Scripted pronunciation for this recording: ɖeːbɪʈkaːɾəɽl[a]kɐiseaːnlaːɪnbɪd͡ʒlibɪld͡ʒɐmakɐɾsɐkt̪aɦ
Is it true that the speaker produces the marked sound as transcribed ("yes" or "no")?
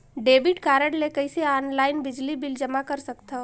no